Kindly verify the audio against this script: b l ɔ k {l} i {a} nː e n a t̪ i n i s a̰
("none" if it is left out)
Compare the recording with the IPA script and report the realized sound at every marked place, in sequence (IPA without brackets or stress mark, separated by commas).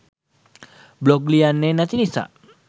l, a